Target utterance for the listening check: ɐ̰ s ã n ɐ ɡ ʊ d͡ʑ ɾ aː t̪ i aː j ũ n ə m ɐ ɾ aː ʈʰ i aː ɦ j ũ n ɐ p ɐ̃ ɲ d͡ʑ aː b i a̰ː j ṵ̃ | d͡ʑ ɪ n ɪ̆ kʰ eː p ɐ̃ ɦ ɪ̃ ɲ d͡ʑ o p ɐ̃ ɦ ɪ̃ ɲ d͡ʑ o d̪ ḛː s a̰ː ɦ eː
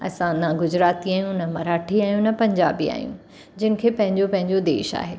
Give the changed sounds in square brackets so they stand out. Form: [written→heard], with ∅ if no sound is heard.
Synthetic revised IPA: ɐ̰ s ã n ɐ ɡ ʊ d͡ʑ ɾ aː t̪ i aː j ũ n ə m ɐ ɾ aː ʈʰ i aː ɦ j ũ n ɐ p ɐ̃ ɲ d͡ʑ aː b i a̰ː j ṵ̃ | d͡ʑ ɪ n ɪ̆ kʰ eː p ɐ̃ ɦ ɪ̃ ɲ d͡ʑ o p ɐ̃ ɦ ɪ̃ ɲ d͡ʑ o d̪ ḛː [s→ʃ] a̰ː ɦ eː